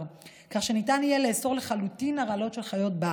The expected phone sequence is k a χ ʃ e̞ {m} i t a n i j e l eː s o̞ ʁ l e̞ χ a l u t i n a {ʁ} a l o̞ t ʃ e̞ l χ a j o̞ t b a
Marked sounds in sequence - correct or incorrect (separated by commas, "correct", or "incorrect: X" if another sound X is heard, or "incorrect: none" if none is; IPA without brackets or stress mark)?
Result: incorrect: n, correct